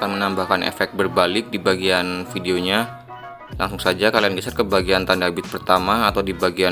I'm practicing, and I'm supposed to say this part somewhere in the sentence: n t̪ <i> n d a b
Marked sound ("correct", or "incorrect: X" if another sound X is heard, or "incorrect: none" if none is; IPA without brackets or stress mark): incorrect: a